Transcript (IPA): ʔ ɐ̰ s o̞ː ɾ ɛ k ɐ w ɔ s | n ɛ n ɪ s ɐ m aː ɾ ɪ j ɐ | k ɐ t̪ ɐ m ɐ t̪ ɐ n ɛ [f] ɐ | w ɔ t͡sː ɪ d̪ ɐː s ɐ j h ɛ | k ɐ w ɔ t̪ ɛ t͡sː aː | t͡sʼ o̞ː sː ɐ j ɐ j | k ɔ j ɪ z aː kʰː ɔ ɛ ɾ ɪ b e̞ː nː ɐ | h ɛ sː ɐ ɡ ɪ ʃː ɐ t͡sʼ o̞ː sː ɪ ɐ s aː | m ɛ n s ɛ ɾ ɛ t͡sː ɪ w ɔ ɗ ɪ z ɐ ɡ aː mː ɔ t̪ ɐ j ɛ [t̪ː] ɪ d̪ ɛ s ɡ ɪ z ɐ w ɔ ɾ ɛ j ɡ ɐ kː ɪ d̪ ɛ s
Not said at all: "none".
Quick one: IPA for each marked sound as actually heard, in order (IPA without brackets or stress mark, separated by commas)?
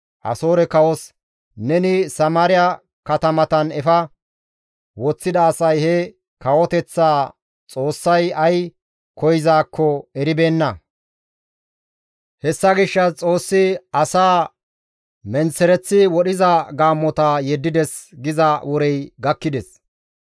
f, d̪ː